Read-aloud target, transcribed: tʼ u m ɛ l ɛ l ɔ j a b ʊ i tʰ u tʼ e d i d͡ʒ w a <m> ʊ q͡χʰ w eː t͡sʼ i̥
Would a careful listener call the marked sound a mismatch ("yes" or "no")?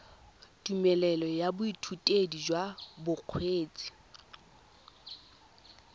yes